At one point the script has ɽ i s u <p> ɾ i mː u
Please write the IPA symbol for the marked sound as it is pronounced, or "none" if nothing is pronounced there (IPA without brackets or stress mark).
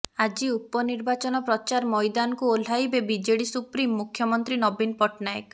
p